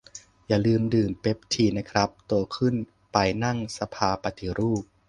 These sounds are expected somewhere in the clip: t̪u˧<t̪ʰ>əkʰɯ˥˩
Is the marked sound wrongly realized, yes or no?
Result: yes